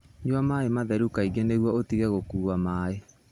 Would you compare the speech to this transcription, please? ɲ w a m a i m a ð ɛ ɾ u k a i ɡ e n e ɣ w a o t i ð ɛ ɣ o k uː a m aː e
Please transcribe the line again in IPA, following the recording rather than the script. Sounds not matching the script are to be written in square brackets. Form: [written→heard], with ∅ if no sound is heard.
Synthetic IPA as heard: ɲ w a m a [i→e] m a ð ɛ ɾ u k a i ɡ e n e ɣ w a o t i [ð→ɣ] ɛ ɣ o k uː a m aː e